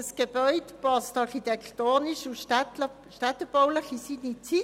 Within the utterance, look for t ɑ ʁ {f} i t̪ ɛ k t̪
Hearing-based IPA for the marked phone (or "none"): χ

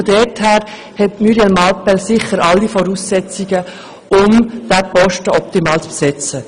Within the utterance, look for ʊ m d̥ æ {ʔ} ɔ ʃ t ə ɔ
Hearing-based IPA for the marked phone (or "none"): p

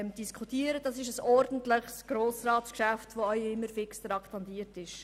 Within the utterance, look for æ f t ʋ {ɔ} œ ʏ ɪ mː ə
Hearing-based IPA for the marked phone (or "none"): o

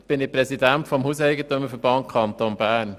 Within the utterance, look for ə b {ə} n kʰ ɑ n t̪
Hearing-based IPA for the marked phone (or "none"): ɑ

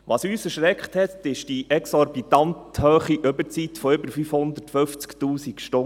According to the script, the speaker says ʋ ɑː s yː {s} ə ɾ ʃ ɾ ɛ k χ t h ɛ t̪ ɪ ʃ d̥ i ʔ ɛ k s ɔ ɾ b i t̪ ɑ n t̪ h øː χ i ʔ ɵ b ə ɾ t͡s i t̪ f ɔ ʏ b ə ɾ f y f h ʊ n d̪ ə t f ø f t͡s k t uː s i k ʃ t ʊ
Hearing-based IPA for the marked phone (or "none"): s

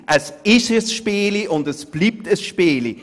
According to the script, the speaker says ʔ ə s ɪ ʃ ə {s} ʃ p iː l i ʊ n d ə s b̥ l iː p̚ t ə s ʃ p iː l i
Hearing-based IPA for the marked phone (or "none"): s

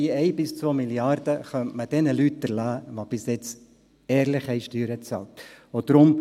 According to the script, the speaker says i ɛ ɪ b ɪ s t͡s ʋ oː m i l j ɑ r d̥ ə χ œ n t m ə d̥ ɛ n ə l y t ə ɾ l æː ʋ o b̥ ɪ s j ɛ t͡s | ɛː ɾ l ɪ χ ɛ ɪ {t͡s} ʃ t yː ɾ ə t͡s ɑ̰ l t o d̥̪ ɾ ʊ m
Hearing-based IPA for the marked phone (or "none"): none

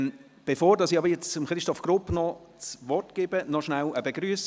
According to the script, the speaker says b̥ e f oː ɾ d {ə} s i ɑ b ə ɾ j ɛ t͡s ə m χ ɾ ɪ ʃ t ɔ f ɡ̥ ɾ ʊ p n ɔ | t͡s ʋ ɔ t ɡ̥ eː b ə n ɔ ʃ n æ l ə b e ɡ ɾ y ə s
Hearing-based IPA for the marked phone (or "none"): ɑ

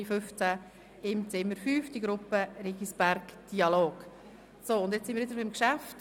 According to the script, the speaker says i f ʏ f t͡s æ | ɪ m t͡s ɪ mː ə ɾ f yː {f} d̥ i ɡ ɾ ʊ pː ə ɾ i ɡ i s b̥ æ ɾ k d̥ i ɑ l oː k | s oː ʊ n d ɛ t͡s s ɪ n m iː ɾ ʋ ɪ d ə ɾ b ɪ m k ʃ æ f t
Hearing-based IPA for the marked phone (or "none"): f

